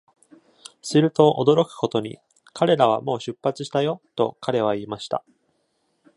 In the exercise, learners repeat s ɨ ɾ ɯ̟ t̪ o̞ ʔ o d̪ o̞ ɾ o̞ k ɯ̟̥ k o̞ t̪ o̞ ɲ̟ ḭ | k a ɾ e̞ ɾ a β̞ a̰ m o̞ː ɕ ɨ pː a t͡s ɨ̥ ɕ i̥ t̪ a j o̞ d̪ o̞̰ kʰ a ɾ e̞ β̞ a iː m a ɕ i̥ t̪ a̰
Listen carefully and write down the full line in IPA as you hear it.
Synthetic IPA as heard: s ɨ ɾ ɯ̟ t̪ o̞ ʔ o d̪ o̞ ɾ o̞ k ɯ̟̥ k o̞ t̪ o̞ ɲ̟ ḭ | k a ɾ e̞ ɾ a β̞ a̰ m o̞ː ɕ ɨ pː a t͡s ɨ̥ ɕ i̥ t̪ a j o̞ t̪ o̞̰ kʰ a ɾ e̞ β̞ a iː m a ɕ i̥ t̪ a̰